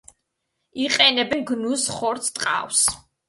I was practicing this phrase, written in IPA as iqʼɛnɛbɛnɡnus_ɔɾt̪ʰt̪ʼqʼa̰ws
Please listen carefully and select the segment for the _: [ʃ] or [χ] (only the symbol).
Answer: χ